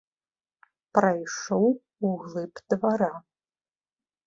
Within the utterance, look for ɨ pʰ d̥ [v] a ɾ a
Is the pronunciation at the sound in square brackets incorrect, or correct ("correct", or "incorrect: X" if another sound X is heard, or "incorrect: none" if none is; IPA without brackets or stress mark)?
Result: correct